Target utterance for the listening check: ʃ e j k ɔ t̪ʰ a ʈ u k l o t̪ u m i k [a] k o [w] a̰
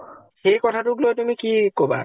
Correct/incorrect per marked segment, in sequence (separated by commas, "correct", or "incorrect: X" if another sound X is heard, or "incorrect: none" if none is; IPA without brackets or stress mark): incorrect: i, incorrect: b